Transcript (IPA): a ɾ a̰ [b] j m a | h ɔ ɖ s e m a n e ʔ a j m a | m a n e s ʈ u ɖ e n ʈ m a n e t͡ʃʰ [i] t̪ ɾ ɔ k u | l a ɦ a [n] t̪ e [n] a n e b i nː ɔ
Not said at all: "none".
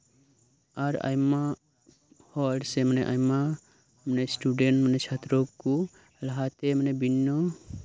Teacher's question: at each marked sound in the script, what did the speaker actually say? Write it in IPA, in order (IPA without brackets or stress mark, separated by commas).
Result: none, a, none, m